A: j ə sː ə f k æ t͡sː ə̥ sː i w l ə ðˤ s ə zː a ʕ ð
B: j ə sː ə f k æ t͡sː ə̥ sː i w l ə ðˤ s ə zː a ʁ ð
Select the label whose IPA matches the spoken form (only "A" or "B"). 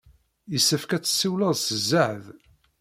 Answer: A